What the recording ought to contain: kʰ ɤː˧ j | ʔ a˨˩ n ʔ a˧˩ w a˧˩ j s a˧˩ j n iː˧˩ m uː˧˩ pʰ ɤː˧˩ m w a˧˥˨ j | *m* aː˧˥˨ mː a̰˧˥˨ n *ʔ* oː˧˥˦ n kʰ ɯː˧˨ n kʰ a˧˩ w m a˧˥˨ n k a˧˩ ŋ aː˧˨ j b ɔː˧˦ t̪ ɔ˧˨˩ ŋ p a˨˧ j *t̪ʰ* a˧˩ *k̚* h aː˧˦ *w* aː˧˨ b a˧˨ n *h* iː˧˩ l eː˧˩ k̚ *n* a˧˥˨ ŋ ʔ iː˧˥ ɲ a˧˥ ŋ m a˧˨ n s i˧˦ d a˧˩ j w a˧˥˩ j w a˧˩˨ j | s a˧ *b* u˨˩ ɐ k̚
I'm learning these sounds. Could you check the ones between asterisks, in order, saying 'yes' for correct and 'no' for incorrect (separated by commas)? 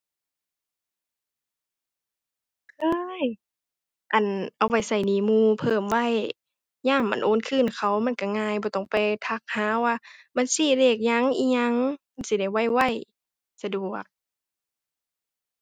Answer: no, yes, yes, yes, yes, no, no, no